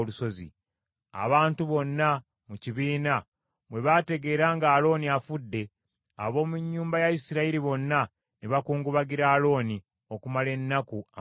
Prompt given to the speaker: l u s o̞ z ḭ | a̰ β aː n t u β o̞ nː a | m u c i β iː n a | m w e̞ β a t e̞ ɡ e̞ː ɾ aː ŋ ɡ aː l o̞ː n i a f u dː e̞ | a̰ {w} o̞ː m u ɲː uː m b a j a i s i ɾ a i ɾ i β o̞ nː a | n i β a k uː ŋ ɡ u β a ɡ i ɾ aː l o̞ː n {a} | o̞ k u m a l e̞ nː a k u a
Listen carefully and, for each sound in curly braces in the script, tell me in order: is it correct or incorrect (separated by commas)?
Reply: incorrect, incorrect